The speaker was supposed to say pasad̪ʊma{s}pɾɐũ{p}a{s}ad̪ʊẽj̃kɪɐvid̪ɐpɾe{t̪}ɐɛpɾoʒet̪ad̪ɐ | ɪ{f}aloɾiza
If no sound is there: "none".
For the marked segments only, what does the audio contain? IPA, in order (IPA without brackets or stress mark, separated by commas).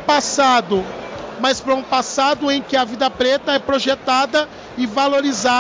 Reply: s, p, s, t̪, v